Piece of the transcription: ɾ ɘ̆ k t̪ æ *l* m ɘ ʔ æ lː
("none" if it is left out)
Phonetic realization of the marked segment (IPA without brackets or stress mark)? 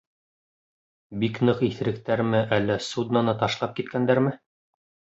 ɾ